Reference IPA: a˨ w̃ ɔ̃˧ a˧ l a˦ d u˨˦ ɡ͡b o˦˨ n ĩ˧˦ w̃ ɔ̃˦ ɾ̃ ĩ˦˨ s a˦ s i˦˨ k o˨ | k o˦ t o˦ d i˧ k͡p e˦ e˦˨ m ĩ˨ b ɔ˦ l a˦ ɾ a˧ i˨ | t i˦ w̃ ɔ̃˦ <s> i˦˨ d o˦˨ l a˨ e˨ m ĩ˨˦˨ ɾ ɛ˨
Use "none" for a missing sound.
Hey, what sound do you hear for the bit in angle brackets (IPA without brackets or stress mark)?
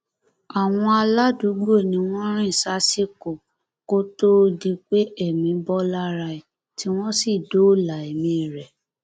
s